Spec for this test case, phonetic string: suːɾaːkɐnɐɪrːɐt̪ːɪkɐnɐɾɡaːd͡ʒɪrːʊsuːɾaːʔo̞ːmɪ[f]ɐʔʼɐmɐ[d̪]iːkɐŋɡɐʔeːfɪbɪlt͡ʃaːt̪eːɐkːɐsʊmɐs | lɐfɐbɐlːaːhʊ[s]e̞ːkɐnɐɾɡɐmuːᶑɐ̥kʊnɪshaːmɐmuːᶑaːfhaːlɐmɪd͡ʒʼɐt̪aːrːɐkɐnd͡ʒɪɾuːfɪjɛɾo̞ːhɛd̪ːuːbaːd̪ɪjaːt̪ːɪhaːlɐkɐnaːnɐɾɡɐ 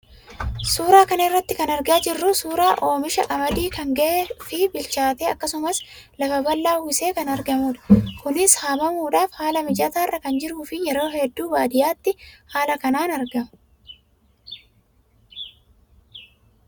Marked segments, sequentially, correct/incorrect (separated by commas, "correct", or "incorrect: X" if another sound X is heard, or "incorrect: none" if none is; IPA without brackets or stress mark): incorrect: ʃ, correct, correct